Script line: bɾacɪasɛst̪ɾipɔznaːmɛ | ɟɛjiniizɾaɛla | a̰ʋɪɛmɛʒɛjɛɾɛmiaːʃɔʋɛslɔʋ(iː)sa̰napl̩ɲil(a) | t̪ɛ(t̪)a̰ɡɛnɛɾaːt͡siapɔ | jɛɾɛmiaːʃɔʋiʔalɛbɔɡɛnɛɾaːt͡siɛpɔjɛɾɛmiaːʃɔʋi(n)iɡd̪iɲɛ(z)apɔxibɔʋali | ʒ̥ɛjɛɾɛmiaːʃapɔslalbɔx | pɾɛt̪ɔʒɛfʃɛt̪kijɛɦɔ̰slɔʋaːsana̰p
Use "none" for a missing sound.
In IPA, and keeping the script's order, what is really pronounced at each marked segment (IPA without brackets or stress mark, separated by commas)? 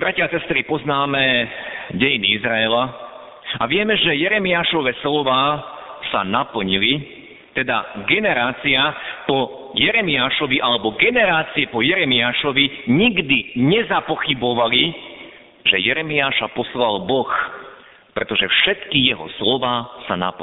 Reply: aː, i, d̪, ɲ, z